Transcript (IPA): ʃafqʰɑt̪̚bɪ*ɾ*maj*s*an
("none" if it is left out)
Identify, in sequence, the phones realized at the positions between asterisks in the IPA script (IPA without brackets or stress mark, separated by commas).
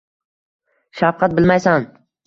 l, s